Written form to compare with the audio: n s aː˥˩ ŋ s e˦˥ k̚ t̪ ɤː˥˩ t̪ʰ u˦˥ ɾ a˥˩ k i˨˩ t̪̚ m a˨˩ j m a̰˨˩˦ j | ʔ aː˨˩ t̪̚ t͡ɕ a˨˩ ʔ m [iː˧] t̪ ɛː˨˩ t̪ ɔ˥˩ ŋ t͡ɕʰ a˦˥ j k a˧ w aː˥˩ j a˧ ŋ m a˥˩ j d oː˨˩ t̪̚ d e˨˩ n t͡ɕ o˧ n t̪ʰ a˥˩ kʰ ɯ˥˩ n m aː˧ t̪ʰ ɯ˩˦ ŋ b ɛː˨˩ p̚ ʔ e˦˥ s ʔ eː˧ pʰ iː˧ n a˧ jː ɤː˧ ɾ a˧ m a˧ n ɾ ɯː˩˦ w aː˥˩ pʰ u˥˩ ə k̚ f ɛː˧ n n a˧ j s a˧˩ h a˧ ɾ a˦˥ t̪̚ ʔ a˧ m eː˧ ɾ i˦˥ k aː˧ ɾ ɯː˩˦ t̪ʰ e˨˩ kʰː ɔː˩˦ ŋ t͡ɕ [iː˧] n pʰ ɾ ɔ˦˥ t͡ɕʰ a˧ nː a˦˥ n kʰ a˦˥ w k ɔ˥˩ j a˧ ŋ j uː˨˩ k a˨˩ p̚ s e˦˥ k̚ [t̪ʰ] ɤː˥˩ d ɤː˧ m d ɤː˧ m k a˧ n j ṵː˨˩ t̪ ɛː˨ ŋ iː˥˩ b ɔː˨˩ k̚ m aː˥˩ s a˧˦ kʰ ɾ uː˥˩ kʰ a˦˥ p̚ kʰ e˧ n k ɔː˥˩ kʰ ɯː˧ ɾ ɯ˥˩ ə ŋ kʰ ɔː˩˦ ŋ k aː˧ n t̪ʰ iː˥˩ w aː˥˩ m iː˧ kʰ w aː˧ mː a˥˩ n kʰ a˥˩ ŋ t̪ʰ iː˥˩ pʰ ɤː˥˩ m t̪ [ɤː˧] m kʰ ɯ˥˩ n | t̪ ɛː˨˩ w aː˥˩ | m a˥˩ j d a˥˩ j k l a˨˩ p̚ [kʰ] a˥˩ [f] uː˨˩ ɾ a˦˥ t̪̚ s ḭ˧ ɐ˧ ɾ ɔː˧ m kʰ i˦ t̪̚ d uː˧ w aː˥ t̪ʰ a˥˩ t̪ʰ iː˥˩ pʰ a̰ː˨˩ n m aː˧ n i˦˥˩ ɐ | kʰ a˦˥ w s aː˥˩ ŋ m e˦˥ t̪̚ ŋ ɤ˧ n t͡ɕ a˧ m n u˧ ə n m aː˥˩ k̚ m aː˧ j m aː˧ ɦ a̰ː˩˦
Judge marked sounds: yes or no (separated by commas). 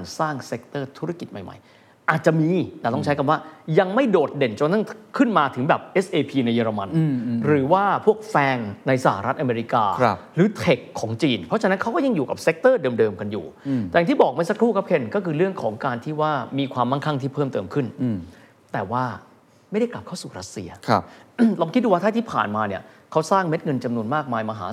yes, yes, no, yes, yes, no